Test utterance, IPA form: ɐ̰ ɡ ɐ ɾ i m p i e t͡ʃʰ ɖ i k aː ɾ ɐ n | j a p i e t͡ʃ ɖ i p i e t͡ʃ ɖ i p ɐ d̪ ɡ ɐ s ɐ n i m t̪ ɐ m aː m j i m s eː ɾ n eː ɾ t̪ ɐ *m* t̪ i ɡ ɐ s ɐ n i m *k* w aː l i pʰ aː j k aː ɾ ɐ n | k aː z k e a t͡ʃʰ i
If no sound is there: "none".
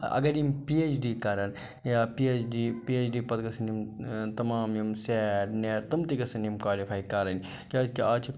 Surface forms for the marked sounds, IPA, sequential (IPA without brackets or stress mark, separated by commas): m, k